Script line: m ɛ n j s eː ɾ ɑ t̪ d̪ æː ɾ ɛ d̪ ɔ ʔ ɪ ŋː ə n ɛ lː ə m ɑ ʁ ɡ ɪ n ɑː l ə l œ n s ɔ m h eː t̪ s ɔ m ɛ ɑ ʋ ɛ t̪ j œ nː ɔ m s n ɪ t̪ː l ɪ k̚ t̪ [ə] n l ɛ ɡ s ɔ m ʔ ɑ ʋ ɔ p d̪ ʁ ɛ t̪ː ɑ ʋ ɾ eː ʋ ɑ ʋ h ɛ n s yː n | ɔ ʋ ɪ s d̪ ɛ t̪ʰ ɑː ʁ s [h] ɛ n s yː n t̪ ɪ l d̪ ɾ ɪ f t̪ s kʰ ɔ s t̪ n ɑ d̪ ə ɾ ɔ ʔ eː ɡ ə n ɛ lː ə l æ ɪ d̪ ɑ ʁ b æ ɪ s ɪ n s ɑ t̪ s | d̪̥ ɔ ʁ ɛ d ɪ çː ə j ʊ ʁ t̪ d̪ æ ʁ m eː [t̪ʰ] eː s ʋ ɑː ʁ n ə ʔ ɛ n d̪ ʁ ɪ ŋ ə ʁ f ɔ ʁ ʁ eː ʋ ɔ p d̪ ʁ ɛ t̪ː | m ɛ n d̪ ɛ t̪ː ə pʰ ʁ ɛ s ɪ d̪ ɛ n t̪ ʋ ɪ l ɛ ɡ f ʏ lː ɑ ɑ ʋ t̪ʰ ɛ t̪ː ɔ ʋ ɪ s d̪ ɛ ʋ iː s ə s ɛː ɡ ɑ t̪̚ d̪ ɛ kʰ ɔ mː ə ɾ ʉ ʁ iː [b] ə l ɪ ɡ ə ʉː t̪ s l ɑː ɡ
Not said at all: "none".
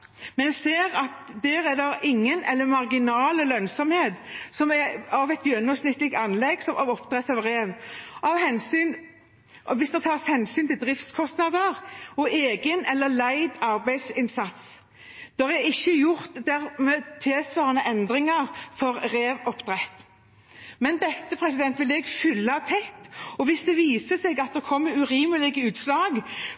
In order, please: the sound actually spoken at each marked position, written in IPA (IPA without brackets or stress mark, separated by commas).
ɑ, h, t̪ʰ, m